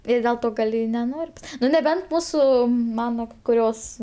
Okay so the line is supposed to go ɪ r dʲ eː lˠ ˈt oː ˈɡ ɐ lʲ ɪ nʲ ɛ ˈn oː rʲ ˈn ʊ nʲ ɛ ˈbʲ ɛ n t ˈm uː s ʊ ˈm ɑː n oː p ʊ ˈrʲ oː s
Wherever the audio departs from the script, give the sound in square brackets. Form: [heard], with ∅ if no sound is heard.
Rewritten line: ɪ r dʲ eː lˠ ˈt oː ˈɡ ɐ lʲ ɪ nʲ ɛ ˈn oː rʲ ˈn ʊ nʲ ɛ ˈbʲ ɛ n t ˈm uː s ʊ ˈm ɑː n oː [k] ʊ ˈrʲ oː s